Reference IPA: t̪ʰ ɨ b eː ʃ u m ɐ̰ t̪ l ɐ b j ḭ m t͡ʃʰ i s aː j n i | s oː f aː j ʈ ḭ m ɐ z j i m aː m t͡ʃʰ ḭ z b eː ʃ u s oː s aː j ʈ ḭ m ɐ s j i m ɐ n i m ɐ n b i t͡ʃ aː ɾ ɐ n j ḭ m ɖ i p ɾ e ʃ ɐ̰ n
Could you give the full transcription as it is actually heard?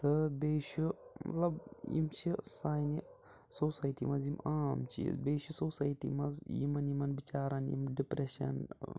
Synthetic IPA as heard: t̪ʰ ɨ b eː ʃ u m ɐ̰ t̪ l ɐ b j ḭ m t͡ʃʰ i s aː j n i | s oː s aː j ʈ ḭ m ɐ z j i m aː m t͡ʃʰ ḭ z b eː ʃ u s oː s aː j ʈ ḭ m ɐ z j i m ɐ n i m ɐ n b i t͡ʃ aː ɾ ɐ n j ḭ m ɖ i p ɾ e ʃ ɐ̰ n